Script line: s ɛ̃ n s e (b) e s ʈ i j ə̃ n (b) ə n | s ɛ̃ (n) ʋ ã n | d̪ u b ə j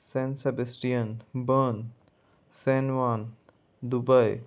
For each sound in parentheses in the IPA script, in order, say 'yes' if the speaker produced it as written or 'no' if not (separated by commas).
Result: yes, yes, yes